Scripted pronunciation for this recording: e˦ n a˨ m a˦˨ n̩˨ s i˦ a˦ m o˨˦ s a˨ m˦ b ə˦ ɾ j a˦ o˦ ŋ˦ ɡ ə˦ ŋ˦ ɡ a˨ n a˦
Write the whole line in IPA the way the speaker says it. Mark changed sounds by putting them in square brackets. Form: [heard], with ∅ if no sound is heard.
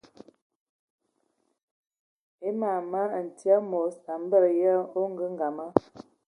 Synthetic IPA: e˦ [m] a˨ m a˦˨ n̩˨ [t] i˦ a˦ m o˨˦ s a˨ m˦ b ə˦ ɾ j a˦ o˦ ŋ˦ ɡ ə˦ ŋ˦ ɡ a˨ [m] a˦